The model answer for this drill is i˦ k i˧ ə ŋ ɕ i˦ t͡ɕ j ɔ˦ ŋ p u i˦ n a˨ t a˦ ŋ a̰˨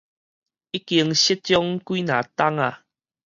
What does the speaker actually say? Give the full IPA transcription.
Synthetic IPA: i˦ k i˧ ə ŋ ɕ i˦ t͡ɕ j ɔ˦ ŋ k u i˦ n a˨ t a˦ ŋ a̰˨